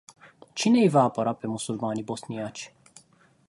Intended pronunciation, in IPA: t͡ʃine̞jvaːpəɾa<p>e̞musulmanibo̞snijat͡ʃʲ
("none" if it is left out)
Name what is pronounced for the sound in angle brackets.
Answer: p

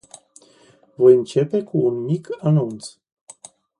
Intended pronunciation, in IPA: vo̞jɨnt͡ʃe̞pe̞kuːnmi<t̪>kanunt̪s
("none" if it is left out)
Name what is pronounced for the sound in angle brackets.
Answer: none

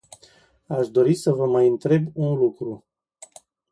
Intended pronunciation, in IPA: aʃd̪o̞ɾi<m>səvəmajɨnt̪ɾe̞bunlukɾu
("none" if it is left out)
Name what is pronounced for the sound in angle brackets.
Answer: none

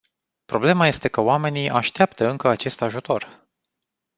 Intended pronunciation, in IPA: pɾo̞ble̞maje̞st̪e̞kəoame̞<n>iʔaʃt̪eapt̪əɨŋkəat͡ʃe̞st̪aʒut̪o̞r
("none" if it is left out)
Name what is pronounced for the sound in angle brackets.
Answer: n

